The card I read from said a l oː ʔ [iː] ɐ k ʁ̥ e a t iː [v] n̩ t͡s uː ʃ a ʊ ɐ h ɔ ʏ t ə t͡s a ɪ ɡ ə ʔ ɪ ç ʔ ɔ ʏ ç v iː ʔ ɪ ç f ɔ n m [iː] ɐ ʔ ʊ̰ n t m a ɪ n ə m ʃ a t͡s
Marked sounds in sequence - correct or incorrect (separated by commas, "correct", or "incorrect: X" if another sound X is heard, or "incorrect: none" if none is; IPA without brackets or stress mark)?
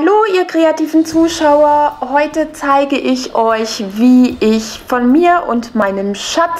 correct, correct, correct